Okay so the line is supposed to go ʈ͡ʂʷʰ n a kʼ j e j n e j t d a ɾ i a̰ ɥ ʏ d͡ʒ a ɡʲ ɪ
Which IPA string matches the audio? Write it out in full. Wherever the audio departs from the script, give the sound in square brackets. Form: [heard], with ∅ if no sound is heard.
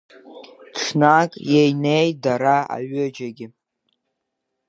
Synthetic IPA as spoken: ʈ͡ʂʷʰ n a kʼ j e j n e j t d a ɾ [a] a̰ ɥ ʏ d͡ʒ a ɡʲ ɪ